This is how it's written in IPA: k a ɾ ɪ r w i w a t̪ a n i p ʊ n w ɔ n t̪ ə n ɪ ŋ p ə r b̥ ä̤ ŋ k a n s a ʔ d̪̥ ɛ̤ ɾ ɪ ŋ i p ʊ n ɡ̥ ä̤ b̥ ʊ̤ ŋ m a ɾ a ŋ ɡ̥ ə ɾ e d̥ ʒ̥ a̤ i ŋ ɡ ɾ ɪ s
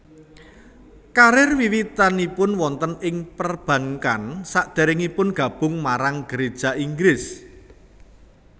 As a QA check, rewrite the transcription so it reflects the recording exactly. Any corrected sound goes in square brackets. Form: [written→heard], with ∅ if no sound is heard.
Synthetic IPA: k a ɾ ɪ r w i w [a→i] t̪ a n i p ʊ n w ɔ n t̪ ə n ɪ ŋ p ə r b̥ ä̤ ŋ k a n s a ʔ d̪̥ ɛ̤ ɾ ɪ ŋ i p ʊ n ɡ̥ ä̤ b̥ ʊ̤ ŋ m a ɾ a ŋ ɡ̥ ə ɾ e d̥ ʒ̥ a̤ i ŋ ɡ ɾ ɪ s